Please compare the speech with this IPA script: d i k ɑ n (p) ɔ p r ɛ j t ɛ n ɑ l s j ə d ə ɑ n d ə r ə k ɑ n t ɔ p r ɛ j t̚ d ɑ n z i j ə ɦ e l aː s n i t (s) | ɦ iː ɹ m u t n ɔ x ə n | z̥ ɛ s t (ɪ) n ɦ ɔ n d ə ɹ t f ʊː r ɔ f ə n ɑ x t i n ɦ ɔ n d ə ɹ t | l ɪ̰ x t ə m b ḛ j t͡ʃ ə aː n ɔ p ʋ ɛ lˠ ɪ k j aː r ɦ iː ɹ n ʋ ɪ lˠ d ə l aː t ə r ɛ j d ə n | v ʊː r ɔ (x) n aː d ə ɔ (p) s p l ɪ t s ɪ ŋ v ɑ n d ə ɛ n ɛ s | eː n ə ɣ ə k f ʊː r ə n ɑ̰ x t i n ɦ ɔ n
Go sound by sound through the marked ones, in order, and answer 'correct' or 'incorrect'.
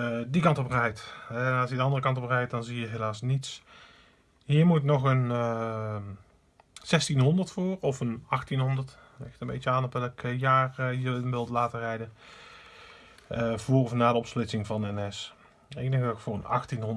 incorrect, correct, incorrect, incorrect, correct

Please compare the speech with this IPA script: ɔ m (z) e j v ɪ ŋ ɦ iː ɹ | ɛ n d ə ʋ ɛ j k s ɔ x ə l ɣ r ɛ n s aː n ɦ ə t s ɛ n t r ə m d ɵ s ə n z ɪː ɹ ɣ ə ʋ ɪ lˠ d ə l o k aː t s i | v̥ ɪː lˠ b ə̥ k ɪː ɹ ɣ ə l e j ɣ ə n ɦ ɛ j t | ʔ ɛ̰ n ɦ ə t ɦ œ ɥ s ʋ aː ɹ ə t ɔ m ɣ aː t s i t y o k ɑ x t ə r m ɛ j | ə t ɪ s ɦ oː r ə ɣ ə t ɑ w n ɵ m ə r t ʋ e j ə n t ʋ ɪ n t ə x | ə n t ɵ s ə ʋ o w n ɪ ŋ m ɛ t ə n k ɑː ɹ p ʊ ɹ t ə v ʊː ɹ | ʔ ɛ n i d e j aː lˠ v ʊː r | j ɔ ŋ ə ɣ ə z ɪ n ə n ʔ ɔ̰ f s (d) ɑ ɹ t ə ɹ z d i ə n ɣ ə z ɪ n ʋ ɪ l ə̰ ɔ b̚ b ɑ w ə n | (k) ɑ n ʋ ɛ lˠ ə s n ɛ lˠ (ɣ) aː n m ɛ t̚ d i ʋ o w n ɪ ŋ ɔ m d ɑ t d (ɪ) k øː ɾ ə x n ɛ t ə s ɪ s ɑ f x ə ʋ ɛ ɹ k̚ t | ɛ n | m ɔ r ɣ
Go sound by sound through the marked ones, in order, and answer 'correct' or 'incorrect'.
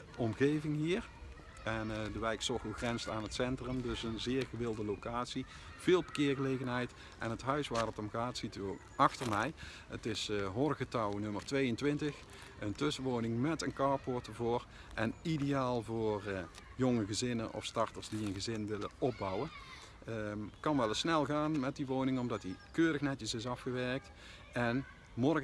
incorrect, incorrect, correct, correct, incorrect

